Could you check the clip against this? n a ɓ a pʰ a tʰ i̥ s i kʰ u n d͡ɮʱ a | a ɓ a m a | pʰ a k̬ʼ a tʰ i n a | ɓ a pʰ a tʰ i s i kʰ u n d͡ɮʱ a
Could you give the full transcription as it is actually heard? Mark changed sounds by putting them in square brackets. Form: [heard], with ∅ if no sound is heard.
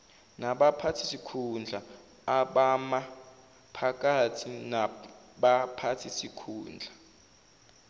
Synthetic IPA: n a ɓ a pʰ a tʰ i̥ s i kʰ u n d͡ɮʱ a | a ɓ a m a | pʰ a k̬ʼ a tʰ i n a | ɓ a pʰ a tʰ i s i kʰ [uː] n d͡ɮʱ a